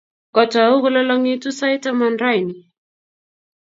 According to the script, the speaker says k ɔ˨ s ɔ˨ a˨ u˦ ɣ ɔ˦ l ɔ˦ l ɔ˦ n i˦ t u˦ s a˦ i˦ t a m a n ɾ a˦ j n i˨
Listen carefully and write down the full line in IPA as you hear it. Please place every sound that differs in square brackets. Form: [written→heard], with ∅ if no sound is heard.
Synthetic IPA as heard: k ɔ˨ [s→t] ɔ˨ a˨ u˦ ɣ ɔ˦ l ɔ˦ l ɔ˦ [n→ŋ] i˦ t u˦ s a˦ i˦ t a m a n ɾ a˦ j n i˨